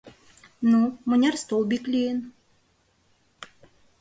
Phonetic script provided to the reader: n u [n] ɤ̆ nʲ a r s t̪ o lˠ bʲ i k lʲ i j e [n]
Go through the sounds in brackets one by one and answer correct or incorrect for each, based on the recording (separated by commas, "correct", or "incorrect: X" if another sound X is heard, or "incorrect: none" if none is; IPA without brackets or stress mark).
incorrect: m, correct